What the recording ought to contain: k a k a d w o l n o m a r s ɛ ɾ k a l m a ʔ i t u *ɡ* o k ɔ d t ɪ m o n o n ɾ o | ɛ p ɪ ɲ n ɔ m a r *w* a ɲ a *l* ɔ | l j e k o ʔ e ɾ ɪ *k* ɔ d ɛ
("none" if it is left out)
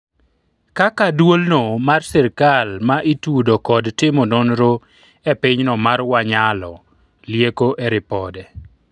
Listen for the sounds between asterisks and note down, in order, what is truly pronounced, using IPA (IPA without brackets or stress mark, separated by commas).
d, w, l, p